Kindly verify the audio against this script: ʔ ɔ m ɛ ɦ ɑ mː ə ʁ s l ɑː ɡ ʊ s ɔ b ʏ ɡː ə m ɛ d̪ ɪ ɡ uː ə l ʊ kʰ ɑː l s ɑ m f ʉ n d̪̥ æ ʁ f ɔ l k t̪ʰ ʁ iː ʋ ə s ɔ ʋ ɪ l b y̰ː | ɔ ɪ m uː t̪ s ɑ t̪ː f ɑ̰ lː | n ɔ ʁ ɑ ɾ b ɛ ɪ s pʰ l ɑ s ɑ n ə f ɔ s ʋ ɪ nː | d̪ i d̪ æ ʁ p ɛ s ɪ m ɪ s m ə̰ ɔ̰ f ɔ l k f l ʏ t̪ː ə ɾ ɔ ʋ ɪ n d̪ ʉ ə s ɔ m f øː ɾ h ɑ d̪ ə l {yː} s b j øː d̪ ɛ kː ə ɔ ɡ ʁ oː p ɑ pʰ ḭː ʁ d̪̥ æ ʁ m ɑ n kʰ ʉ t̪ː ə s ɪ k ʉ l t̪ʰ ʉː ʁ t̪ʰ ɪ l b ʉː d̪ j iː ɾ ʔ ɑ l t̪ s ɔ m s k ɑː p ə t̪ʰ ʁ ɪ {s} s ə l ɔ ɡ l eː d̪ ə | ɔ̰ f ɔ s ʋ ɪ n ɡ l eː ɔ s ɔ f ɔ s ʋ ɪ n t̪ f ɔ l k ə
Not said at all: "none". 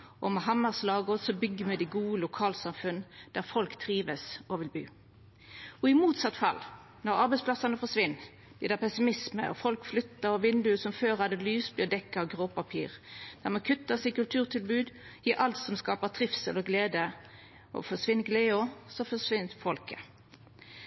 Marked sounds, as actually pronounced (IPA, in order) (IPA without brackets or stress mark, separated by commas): yː, f